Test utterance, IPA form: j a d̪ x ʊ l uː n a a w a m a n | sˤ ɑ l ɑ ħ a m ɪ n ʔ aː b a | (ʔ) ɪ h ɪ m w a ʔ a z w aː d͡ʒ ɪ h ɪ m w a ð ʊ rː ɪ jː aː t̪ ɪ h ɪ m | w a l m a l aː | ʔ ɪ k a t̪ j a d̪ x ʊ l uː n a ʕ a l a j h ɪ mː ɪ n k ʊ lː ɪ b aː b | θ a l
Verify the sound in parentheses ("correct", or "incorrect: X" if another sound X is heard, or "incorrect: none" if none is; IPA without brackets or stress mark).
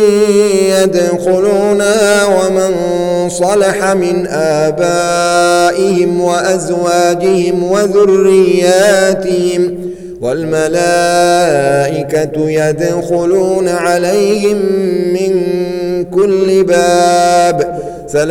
correct